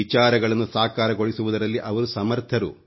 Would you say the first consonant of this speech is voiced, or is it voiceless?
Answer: voiceless